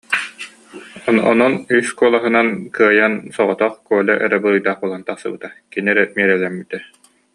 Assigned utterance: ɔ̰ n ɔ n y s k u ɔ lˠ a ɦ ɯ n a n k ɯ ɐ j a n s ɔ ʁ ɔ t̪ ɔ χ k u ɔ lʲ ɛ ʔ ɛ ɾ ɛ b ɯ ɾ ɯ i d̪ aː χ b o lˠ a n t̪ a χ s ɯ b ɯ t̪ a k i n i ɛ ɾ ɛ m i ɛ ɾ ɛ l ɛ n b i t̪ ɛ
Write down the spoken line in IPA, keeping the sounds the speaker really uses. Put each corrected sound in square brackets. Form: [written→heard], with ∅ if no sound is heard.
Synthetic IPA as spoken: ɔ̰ n ɔ n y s k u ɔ lˠ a ɦ ɯ n a n k ɯ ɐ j a n s ɔ ʁ ɔ t̪ ɔ χ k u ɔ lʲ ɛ ʔ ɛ ɾ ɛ b ɯ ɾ ɯ [i→j] d̪ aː χ b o lˠ a n t̪ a χ s ɯ b ɯ t̪ a k i n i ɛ ɾ ɛ m i ɛ ɾ ɛ l ɛ [n→m] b i t̪ ɛ